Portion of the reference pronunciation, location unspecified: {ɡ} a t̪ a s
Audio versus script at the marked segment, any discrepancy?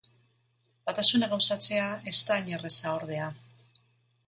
yes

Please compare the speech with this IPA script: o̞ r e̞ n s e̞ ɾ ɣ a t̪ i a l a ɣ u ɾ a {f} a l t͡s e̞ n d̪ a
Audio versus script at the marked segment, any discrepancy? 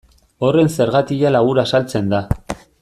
yes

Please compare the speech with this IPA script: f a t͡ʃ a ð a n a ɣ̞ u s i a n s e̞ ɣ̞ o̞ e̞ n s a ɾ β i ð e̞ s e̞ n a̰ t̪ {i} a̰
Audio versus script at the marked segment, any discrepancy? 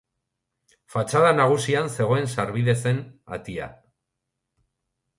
no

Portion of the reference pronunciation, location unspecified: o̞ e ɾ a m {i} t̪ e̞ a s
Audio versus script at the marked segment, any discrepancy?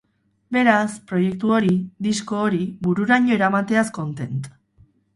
yes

